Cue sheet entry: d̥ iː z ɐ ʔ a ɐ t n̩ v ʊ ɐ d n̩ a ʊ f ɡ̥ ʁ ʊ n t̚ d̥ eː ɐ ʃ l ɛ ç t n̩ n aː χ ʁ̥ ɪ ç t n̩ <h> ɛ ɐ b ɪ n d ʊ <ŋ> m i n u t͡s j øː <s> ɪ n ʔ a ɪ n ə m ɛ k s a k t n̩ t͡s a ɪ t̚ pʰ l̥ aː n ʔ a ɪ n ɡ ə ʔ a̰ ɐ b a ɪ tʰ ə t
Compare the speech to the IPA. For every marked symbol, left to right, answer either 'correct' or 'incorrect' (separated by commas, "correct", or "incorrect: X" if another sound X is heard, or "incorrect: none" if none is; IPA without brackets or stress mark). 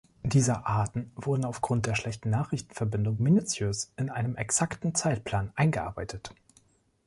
incorrect: f, correct, correct